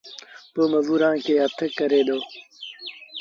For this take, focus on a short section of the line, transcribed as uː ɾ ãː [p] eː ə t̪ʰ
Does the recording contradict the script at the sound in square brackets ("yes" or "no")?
yes